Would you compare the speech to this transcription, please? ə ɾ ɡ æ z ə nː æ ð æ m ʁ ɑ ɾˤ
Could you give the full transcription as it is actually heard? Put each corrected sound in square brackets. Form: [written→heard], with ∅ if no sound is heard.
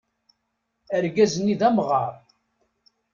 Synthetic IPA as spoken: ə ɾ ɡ æ z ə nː [æ→i] ð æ m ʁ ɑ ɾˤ